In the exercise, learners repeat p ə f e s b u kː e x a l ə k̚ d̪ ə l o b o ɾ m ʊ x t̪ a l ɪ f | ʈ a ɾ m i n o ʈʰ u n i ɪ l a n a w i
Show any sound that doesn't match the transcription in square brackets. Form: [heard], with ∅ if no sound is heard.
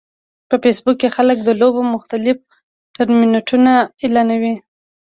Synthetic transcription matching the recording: p ə f e s b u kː e x a l ə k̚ d̪ ə l o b o [∅] m ʊ x t̪ a l ɪ f | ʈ a ɾ m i n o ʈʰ u n [a] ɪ l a n a w i